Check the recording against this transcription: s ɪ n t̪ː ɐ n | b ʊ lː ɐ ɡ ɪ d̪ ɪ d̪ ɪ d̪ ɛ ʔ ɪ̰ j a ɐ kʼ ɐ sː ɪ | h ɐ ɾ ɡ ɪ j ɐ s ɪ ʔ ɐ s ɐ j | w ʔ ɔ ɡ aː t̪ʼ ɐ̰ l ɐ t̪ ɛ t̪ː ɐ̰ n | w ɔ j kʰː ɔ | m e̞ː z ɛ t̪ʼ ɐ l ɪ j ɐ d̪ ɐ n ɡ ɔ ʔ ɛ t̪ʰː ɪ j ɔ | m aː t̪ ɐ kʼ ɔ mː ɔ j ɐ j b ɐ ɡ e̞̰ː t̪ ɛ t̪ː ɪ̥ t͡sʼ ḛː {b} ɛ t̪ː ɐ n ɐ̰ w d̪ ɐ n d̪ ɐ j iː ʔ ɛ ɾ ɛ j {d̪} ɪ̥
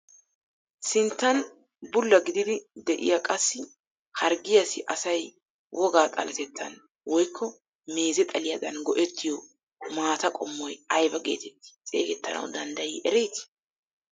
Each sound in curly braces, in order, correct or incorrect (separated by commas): incorrect, incorrect